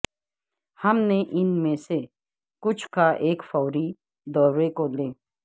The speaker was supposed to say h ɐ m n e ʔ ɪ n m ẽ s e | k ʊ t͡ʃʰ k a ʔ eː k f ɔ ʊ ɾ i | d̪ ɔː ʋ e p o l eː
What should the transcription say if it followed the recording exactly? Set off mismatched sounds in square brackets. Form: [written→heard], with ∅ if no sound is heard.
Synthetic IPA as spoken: h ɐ m n e ʔ ɪ n m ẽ s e | k ʊ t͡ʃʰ k a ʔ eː k f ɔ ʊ ɾ i | d̪ ɔː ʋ e [p→k] o l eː